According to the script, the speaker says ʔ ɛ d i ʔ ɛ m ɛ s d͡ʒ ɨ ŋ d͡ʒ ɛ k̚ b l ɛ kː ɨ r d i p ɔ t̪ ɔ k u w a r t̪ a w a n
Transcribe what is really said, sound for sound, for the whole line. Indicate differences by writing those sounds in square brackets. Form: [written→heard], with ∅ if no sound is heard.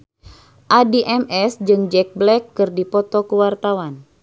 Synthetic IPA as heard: ʔ [ɛ→a] d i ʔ ɛ m ɛ s d͡ʒ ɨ ŋ d͡ʒ ɛ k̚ b l ɛ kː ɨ r d i p ɔ t̪ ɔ k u w a r t̪ a w a n